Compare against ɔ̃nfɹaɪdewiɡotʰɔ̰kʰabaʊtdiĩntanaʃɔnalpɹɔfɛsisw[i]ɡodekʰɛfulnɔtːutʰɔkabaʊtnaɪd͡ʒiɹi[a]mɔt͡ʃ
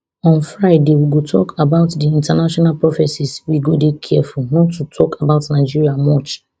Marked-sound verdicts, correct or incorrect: correct, correct

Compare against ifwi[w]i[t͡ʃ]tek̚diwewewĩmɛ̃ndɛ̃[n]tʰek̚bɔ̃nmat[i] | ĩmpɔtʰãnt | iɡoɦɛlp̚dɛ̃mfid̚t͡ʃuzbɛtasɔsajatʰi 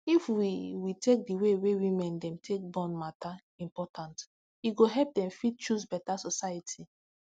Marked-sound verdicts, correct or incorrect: correct, incorrect, incorrect, incorrect

